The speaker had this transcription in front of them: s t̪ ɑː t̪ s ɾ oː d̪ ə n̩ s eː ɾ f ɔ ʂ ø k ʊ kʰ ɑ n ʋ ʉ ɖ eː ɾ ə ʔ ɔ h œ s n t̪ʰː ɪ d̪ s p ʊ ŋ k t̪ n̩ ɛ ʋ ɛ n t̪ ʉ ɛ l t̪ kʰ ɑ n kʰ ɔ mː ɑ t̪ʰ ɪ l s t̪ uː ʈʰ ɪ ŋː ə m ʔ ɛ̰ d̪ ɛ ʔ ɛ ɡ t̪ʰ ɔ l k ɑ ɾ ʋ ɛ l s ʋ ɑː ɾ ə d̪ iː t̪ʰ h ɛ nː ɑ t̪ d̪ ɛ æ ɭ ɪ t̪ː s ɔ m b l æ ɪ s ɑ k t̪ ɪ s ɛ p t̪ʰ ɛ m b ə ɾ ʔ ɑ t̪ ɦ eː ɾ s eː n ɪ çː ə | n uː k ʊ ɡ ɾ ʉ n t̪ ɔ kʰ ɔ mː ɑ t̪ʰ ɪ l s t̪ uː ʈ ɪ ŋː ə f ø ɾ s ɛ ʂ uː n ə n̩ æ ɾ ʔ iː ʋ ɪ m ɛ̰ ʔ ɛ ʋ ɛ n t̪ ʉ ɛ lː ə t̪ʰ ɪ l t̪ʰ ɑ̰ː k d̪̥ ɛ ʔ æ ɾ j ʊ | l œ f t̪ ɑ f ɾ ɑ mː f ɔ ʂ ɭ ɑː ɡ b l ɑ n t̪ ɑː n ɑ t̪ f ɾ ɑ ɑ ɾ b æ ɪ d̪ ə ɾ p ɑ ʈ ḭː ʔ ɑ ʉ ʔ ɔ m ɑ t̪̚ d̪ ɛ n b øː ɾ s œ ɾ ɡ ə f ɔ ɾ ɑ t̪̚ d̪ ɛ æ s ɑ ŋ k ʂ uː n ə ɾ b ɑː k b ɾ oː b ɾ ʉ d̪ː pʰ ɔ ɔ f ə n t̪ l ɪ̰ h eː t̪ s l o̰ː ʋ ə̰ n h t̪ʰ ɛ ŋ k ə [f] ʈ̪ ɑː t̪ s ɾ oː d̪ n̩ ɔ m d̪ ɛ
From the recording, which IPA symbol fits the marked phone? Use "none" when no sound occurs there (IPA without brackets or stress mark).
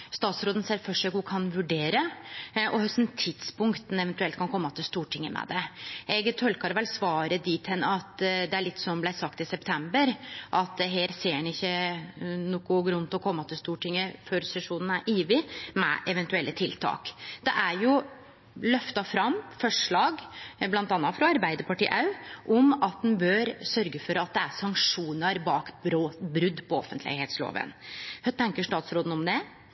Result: ʂ